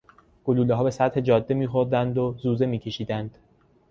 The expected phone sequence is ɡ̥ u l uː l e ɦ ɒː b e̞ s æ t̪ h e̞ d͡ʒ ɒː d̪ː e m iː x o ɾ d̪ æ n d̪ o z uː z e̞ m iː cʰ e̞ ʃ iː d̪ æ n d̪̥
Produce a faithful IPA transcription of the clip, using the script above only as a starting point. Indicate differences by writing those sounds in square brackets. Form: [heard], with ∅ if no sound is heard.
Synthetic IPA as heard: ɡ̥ [o] l uː l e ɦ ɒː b e̞ s æ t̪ h e̞ d͡ʒ ɒː d̪ː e m iː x o ɾ d̪ æ n d̪ o z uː z e̞ m iː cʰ e̞ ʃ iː d̪ æ n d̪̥